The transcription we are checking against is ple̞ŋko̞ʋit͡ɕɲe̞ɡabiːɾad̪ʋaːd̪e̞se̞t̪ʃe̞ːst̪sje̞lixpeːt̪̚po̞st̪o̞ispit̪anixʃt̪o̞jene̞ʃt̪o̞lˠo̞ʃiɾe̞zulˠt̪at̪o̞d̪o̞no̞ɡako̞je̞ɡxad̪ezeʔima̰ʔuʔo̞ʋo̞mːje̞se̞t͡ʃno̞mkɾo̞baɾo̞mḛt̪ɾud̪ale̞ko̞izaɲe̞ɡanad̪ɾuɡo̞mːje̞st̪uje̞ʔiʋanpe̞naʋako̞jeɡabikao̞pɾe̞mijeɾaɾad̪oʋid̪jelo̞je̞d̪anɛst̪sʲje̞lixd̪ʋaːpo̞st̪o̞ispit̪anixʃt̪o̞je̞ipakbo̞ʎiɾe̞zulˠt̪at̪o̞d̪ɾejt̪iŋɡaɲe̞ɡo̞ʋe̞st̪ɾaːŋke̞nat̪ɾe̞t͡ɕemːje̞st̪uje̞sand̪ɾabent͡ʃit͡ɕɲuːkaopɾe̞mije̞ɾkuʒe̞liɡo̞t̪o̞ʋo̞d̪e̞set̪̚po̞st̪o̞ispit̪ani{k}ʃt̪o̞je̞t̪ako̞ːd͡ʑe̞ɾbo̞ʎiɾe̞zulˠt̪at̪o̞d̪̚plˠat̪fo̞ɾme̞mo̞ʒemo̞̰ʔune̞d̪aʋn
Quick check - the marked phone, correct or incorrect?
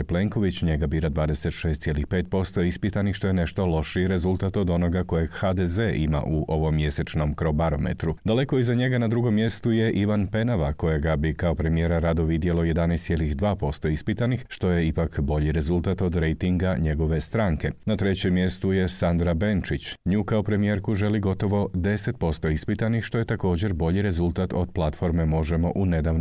incorrect